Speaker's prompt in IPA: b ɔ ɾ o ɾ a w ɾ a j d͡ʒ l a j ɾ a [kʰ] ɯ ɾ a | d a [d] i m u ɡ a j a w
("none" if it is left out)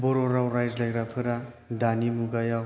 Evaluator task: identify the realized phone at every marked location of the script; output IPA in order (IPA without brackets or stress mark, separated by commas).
pʰ, n